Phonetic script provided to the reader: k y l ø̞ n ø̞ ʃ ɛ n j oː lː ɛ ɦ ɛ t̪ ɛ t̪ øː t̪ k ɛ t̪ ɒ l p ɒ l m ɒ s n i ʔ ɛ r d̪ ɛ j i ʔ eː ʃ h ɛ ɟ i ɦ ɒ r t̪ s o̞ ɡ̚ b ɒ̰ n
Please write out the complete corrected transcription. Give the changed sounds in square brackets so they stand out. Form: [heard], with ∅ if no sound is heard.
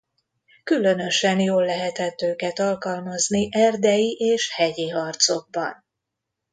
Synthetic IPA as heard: k y l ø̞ n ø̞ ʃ ɛ n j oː lː ɛ ɦ ɛ t̪ ɛ t̪ øː [∅] k ɛ t̪ ɒ l [k] ɒ l m ɒ [z] n i ʔ ɛ r d̪ ɛ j i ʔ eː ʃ h ɛ ɟ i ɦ ɒ r t̪ s o̞ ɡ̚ b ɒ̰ n